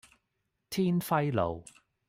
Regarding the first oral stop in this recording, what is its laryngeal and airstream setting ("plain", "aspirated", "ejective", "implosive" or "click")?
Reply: aspirated